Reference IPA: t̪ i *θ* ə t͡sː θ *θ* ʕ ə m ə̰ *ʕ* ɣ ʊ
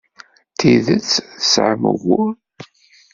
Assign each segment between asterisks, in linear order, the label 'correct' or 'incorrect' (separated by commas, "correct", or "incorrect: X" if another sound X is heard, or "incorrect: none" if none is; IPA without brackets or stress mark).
incorrect: ð, incorrect: s, incorrect: none